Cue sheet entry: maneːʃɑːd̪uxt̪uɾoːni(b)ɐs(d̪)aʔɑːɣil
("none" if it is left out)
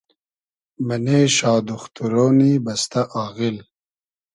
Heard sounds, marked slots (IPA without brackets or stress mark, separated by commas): b, t̪